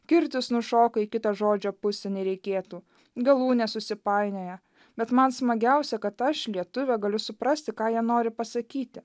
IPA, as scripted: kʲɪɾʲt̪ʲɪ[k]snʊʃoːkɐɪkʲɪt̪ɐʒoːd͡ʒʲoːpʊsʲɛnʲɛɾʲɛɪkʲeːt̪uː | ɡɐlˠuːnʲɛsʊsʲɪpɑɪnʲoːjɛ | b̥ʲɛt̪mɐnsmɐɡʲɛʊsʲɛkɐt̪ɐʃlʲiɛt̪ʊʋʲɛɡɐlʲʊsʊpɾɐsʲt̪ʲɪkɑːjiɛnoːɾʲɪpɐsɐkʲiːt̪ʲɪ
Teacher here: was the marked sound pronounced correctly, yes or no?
no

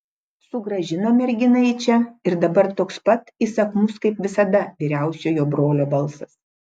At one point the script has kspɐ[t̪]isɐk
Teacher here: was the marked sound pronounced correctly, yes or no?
yes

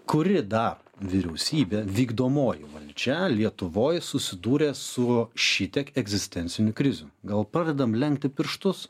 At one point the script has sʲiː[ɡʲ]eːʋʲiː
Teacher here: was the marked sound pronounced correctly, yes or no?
no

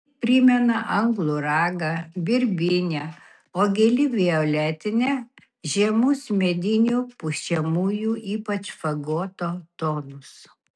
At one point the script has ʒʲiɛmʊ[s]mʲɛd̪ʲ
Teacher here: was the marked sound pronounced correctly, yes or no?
yes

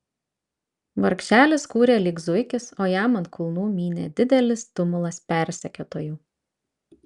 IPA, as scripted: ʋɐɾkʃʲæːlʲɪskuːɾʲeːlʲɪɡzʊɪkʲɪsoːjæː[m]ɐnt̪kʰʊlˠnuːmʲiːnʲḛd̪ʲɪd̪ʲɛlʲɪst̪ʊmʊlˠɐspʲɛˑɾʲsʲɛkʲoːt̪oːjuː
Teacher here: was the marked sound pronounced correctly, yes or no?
yes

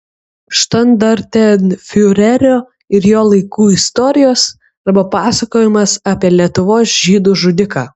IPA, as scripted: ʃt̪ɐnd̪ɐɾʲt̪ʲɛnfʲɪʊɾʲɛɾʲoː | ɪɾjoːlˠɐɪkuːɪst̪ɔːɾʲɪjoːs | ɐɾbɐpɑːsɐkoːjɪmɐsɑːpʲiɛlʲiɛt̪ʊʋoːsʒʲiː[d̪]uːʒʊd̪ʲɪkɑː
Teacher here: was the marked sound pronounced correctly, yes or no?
yes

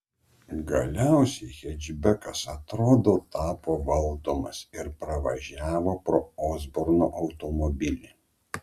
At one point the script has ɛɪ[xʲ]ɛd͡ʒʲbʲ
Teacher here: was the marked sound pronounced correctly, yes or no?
yes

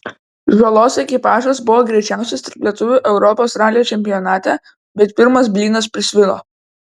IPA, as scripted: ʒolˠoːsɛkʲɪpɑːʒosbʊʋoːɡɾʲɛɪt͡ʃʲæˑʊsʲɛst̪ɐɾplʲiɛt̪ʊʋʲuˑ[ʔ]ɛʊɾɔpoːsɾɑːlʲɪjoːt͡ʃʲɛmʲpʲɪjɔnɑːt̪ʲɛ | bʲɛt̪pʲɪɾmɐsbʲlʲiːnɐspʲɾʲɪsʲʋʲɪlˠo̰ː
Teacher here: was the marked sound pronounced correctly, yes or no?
yes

